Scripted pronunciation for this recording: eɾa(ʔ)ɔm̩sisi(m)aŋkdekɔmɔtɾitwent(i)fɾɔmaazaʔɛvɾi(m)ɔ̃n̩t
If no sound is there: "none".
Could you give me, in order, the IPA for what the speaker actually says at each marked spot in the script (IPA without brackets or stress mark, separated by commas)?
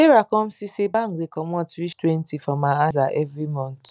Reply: k, b, i, m